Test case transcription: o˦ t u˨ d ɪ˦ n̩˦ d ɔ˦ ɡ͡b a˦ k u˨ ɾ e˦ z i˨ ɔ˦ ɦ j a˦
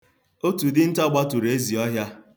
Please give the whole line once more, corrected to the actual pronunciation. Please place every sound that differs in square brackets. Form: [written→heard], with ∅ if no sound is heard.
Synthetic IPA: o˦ t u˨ d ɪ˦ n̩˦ [d→t] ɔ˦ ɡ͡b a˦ [k→t] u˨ ɾ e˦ z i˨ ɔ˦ ɦ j a˦